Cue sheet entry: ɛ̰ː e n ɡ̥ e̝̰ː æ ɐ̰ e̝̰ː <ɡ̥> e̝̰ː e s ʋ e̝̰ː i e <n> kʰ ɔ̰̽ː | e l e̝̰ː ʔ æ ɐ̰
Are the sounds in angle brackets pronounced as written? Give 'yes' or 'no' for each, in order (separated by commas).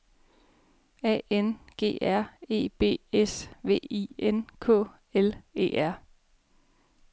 no, yes